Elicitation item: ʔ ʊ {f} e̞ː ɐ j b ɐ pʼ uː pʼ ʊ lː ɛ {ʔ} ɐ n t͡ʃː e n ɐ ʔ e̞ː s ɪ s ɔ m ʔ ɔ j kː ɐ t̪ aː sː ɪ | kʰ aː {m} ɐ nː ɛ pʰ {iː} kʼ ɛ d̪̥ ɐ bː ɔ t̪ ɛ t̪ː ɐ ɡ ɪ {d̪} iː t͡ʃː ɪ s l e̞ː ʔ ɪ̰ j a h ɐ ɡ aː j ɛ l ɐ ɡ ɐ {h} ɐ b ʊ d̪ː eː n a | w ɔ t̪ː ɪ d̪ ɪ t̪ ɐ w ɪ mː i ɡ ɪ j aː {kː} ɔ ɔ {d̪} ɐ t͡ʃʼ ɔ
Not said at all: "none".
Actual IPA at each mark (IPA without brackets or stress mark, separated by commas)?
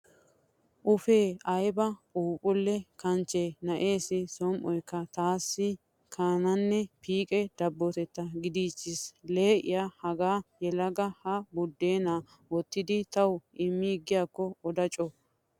f, k, n, iː, d̪, h, kː, d̪